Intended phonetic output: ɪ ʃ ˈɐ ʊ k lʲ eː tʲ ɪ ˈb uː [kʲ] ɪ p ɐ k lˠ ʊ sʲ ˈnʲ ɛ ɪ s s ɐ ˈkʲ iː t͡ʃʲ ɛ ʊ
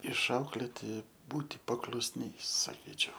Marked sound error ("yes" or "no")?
yes